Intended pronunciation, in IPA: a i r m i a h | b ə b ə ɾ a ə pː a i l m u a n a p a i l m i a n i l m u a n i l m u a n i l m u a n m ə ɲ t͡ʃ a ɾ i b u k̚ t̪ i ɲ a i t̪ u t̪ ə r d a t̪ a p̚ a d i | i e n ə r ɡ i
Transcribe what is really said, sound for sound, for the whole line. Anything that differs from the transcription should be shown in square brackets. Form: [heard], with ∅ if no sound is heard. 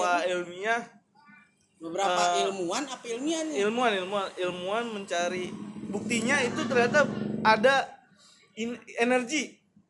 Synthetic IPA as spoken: a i [l] m i a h | b ə b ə ɾ a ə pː a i l m u a n a p a i l m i a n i l m u a n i l m u a n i l m u a n m ə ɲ t͡ʃ a ɾ i b u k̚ t̪ i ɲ a i t̪ u t̪ ə r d a t̪ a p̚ a d [a] | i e n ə r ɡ i